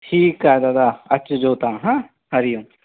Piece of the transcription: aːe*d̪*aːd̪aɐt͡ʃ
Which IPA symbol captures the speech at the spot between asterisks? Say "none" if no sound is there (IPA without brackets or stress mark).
d̪